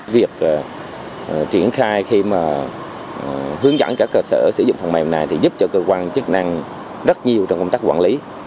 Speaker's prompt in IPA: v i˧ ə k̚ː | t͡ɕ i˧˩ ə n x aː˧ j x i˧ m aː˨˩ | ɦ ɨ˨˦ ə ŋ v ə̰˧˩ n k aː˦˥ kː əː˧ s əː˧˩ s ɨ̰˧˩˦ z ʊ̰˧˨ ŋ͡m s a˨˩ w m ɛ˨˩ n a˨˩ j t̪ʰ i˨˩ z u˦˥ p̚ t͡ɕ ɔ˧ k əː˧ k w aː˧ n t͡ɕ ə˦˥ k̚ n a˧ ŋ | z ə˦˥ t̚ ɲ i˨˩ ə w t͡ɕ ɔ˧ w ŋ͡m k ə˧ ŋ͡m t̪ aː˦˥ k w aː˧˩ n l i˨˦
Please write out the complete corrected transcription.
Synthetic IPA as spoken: v i˨˩ ə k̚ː | t͡ɕ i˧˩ ə n x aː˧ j x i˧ m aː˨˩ | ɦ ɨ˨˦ ə ŋ z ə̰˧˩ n k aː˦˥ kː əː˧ s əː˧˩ s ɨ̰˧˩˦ z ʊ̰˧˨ ŋ͡m f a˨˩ w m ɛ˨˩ n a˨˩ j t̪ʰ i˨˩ z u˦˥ p̚ t͡ɕ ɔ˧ k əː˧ k w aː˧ n t͡ɕ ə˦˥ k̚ n a˧ ŋ | z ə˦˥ t̚ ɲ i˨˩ ə w t͡ɕ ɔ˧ w ŋ͡m k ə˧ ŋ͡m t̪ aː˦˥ k w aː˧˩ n l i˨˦

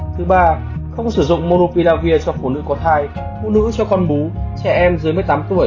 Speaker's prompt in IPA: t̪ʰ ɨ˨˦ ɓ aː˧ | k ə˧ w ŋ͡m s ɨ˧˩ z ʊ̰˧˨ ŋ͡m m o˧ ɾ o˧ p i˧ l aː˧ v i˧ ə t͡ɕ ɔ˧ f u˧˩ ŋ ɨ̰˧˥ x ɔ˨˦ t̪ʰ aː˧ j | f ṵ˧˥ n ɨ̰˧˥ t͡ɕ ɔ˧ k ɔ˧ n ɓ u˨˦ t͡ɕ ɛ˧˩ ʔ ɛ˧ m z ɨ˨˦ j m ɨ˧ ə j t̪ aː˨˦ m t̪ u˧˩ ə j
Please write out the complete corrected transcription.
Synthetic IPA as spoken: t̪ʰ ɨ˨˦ ɓ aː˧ | x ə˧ w ŋ͡m s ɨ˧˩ z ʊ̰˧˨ ŋ͡m m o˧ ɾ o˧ p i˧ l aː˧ v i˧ ə t͡ɕ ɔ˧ f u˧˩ n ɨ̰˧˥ k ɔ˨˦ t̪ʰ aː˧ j | f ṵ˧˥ n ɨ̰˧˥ t͡ɕ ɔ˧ k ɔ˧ n ɓ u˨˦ t͡ɕ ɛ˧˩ ʔ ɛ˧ m z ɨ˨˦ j m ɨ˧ ə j t̪ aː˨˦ m t̪ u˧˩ ə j

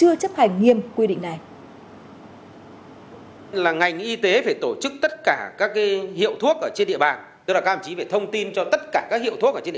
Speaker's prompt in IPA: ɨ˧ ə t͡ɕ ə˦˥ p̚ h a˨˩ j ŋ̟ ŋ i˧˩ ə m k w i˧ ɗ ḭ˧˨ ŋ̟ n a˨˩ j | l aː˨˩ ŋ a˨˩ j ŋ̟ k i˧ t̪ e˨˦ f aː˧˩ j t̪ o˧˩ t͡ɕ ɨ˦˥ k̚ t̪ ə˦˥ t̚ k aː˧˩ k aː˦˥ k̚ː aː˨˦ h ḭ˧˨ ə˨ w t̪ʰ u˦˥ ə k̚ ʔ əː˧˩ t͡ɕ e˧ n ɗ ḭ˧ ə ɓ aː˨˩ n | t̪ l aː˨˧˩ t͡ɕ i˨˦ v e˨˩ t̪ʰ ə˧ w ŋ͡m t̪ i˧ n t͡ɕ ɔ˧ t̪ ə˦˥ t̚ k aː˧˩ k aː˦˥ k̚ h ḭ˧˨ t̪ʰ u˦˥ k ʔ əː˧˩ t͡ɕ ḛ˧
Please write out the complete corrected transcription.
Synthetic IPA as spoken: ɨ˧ ə t͡ɕ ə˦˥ p̚ h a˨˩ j ŋ̟ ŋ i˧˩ ə m k w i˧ ɗ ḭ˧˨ ŋ̟ n a˨˩ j | l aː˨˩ ŋ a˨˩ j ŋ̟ ʔ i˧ t̪ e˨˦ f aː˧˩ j t̪ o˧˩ t͡ɕ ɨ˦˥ k̚ t̪ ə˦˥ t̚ k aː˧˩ k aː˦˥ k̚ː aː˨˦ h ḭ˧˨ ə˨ w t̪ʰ u˦˥ ə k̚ ʔ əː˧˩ t͡ɕ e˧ n ɗ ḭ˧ ə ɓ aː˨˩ n | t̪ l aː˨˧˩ t͡ɕ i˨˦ v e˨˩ t̪ʰ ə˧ w ŋ͡m t̪ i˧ n t͡ɕ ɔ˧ t̪ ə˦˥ t̚ k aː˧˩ k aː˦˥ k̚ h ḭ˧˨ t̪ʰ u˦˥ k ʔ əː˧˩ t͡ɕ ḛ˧

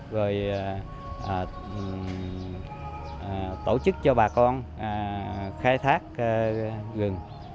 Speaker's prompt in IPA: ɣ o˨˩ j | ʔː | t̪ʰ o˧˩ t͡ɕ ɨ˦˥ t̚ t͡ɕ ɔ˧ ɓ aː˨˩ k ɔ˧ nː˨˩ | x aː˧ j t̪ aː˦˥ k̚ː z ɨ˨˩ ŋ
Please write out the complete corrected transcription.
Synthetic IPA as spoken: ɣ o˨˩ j | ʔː | t̪ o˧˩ t͡ɕ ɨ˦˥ k̚ t͡ɕ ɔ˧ ɓ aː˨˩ k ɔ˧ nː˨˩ | x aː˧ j t̪ʰ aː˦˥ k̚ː ɣ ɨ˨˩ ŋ

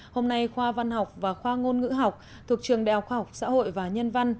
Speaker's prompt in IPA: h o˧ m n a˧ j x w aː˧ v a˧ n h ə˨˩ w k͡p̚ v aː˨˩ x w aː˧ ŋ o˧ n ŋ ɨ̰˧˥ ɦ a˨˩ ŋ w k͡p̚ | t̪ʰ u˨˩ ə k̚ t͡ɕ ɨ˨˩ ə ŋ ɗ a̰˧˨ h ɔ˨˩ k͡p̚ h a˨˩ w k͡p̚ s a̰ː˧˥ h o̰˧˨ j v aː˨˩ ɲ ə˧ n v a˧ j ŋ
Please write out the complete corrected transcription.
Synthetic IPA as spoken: h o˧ m n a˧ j x w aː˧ v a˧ n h a˨˩ w k͡p̚ v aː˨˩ x w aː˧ ŋ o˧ n ŋ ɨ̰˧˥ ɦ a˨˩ w k͡p̚ | t̪ʰ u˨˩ ə k̚ t͡ɕ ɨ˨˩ ə ŋ ɗ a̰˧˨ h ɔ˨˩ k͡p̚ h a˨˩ w k͡p̚ s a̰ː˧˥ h o̰˧˨ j v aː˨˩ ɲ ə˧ n v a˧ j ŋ

